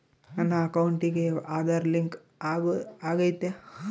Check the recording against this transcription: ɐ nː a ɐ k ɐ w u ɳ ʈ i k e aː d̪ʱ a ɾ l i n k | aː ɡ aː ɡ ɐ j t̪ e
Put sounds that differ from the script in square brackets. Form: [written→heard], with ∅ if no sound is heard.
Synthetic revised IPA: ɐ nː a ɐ k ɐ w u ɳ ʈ i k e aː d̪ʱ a ɾ l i [n→ŋ] k | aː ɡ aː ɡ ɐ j t̪ e